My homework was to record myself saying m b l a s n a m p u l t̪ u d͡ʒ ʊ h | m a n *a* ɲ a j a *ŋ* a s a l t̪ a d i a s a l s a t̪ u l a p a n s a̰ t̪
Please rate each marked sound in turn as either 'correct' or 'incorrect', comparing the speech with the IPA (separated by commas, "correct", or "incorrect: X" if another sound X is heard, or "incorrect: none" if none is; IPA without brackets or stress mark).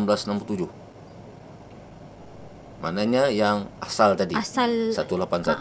correct, correct